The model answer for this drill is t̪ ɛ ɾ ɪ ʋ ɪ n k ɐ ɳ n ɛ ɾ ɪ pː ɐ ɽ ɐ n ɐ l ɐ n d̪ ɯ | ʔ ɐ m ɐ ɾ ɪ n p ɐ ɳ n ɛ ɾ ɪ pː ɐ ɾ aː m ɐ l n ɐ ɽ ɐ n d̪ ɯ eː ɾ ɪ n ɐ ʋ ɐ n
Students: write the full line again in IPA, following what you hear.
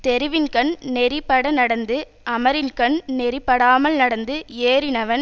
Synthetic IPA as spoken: t̪ ɛ ɾ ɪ ʋ ɪ n k ɐ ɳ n ɛ ɾ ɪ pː ɐ ɽ ɐ n ɐ ɽ ɐ n d̪ ɯ | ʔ ɐ m ɐ ɾ ɪ n k ɐ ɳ n ɛ ɾ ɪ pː ɐ ɽ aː m ɐ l n ɐ ɽ ɐ n d̪ ɯ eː ɾ ɪ n ɐ ʋ ɐ n